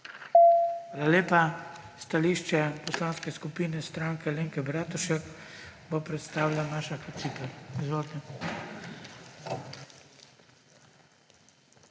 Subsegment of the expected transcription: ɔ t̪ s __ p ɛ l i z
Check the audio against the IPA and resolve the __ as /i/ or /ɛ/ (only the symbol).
i